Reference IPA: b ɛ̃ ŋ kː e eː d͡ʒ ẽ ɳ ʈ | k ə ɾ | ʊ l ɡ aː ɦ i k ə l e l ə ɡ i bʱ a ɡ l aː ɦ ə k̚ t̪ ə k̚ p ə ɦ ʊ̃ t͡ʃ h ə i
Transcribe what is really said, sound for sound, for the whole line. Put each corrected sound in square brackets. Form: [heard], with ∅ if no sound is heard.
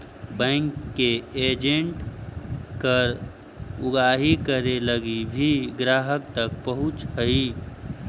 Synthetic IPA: b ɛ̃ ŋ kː e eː d͡ʒ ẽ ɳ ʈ | k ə ɾ | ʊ [∅] ɡ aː ɦ i k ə [ɾ] e l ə ɡ i bʱ [i] ɡ [ɾ] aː ɦ ə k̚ t̪ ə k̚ p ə ɦ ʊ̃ t͡ʃ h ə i